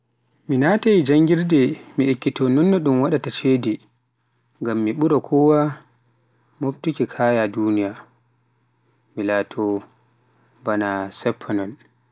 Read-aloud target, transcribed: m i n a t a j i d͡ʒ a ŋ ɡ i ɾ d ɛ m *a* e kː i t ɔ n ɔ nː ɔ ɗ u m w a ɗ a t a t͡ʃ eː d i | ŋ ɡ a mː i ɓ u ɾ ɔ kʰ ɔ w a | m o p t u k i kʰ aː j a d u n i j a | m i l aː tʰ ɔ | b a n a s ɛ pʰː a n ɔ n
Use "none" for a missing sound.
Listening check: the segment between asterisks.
i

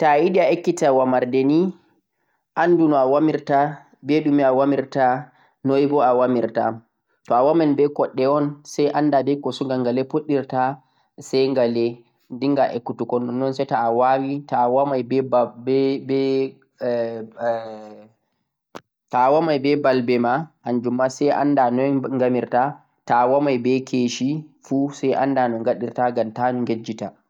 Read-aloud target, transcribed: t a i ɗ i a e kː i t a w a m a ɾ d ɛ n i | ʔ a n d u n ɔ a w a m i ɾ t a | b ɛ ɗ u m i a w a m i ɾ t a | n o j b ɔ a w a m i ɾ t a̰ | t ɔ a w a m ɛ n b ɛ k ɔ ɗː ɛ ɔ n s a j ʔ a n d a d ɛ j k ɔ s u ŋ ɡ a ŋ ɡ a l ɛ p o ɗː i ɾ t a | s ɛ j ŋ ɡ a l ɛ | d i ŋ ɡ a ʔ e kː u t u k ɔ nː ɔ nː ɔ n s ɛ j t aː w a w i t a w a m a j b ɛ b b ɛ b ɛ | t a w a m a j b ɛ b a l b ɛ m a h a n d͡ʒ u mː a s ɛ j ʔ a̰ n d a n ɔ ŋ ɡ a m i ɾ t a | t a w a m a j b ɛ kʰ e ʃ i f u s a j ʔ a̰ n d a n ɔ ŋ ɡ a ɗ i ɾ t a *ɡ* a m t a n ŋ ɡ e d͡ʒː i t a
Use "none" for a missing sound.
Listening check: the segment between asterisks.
ɡ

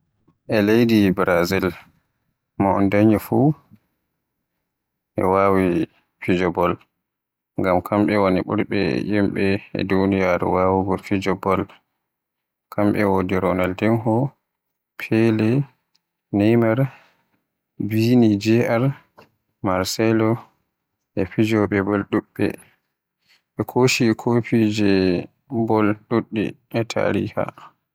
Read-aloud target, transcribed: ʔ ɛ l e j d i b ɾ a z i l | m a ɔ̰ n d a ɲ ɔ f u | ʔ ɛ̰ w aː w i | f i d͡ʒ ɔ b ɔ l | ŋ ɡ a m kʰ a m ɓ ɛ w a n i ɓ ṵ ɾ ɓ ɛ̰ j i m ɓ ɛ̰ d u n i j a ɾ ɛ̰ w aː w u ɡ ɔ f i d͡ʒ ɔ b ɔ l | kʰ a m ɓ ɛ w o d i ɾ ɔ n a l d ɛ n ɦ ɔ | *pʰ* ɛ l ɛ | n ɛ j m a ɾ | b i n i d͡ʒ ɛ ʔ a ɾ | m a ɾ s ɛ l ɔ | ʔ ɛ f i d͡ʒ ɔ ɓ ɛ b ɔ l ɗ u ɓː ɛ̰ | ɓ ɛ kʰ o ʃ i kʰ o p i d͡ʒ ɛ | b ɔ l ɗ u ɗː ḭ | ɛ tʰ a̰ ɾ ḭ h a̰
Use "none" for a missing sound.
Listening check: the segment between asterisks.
pʰ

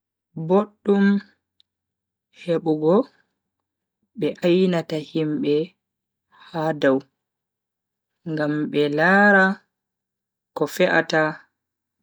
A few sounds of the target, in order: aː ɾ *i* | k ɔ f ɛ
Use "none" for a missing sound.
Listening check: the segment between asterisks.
a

